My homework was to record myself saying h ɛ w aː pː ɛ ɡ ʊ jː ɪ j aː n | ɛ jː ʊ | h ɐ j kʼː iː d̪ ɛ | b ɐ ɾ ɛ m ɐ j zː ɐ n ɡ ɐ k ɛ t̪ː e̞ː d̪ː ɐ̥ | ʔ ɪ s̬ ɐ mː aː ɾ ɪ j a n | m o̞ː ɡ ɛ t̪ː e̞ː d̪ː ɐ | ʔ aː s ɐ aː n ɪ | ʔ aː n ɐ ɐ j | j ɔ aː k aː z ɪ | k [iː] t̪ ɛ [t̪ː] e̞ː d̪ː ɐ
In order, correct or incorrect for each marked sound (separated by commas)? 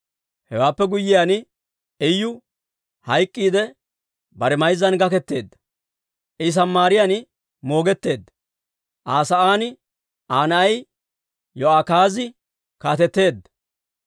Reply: incorrect, correct